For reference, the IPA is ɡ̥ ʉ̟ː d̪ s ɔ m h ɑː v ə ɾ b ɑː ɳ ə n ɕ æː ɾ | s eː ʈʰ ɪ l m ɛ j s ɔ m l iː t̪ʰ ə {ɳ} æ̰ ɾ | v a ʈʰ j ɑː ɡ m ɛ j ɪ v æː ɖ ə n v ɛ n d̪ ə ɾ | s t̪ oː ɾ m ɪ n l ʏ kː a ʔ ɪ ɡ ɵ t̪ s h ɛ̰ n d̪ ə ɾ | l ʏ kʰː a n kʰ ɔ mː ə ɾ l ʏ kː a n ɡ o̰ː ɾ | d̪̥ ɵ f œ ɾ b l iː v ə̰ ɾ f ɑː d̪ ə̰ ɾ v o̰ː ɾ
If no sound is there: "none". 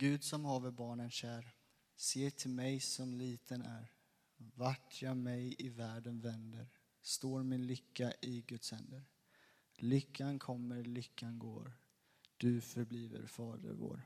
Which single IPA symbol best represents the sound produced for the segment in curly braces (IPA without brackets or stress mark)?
n